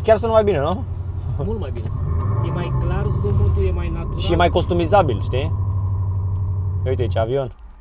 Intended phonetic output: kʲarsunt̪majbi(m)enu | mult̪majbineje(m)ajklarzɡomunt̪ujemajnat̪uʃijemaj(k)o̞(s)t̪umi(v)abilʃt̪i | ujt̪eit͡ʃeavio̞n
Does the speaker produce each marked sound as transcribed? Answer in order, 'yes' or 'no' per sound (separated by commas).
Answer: no, yes, yes, yes, no